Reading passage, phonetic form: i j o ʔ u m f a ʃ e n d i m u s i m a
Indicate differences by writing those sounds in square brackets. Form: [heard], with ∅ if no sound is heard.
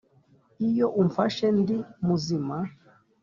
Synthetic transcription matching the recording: i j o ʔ u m f a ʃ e n d i m u [z] i m a